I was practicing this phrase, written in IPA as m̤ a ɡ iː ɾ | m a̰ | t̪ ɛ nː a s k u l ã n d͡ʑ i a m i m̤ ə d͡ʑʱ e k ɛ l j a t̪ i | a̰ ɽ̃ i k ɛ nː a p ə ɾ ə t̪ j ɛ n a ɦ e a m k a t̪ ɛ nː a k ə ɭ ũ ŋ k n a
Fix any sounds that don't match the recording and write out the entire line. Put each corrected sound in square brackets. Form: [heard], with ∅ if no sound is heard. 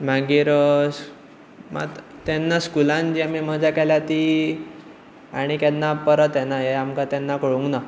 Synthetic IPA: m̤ a ɡ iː ɾ | m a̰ | t̪ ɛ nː a s k u l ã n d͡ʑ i a m i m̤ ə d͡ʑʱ [a] k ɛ l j a t̪ i | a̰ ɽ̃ i k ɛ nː a p ə ɾ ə t̪ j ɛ n a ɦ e a m k a t̪ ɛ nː a k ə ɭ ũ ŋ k n a